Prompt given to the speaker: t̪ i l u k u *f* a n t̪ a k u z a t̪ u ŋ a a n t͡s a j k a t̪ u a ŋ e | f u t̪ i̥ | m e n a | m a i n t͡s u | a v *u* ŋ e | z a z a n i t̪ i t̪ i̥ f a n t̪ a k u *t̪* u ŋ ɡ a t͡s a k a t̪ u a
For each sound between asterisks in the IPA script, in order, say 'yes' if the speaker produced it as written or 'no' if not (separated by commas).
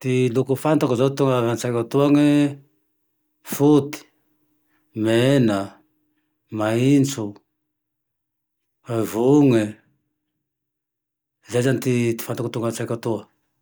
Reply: yes, yes, yes